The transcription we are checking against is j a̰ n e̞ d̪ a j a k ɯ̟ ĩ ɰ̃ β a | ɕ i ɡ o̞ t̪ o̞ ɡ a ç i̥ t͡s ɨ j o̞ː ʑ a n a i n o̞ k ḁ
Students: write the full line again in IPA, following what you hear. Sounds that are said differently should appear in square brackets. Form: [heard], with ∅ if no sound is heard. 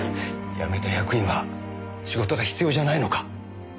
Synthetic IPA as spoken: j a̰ [m] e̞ [t̪] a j a k ɯ̟ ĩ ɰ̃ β a | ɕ i ɡ o̞ t̪ o̞ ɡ a ç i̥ t͡s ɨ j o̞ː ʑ a n a i n o̞ k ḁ